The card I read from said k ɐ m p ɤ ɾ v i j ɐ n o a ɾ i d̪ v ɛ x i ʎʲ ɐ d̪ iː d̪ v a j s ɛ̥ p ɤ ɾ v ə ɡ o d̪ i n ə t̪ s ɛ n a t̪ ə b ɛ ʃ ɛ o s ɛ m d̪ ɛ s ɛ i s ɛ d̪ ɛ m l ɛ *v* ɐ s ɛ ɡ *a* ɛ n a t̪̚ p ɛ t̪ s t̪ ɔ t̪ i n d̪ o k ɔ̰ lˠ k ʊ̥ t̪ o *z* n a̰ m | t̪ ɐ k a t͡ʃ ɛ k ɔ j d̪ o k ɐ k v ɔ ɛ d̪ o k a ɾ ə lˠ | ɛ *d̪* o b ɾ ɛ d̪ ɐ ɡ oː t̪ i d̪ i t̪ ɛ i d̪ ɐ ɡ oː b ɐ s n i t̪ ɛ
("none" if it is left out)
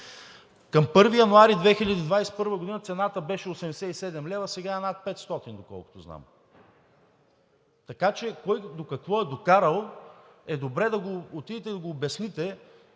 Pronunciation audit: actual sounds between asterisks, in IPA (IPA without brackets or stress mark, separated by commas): v, a, z, d̪